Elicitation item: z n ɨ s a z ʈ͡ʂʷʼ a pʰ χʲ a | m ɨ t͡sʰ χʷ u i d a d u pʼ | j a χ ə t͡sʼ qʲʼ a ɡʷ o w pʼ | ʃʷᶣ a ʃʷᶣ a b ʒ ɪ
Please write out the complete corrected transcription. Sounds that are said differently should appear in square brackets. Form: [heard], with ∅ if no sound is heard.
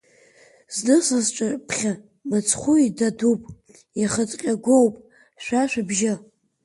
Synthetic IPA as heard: z n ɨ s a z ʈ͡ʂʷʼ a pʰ χʲ a | m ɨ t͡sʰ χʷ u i d a d u pʼ | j a χ ə t͡sʼ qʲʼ a ɡʷ o w pʼ | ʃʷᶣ a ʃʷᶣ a b ʒ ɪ